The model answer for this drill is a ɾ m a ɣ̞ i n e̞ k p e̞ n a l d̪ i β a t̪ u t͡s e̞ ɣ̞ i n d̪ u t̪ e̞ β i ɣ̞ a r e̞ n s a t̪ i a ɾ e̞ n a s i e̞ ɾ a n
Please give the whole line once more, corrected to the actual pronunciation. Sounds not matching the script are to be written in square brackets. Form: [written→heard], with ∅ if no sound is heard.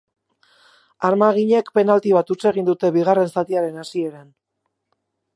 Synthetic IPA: a ɾ m a ɣ̞ i [n→ɲ] e̞ k p e̞ n a l [d̪→t̪] i β a t̪ u t͡s e̞ ɣ̞ i n d̪ u t̪ e̞ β i ɣ̞ a r e̞ n s a t̪ i a ɾ e̞ n a s i e̞ ɾ a n